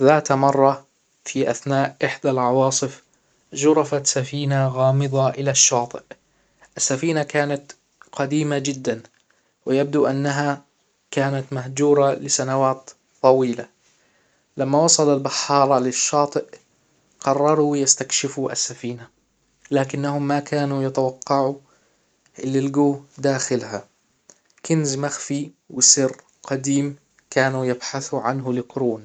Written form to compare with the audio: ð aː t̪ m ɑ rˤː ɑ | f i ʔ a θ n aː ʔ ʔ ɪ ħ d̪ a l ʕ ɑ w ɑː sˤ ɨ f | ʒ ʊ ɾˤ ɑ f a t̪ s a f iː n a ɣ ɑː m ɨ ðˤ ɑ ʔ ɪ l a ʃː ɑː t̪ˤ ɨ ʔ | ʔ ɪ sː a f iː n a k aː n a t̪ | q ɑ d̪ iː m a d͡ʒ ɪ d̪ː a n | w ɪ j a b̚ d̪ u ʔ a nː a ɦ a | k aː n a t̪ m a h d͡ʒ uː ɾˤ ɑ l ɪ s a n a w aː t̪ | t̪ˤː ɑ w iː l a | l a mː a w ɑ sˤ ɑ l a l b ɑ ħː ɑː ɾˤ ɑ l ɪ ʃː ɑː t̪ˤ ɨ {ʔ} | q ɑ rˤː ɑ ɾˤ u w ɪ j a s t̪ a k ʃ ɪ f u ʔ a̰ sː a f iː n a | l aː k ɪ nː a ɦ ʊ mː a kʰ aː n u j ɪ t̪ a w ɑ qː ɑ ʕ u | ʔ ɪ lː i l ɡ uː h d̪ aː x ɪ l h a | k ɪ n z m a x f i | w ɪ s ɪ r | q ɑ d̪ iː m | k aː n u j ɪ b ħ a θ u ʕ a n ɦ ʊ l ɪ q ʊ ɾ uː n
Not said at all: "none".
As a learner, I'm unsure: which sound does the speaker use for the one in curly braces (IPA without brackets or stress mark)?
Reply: ʔ